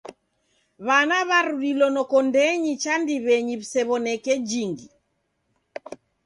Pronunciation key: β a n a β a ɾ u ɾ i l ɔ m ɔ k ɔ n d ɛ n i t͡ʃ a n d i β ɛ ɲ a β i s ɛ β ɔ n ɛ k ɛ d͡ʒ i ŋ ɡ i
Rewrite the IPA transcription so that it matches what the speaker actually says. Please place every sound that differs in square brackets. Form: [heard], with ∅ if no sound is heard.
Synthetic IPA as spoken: β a n a β a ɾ u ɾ i l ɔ [n] ɔ k ɔ n d ɛ [ɲ] i t͡ʃ a n d i β ɛ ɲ [i] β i s ɛ β ɔ n ɛ k ɛ d͡ʒ i ŋ ɡ i